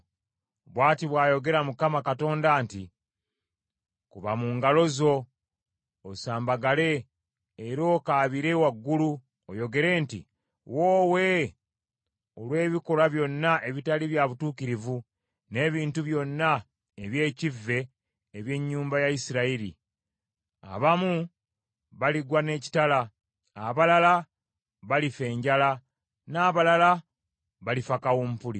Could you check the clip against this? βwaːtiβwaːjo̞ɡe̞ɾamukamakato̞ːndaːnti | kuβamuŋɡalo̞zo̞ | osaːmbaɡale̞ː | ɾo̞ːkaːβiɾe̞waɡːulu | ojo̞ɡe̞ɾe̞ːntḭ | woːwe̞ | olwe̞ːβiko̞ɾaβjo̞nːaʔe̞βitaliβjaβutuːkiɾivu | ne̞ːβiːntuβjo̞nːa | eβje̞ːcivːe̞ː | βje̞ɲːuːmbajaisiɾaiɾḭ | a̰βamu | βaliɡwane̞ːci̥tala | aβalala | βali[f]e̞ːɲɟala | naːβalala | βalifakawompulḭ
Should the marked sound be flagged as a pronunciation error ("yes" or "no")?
no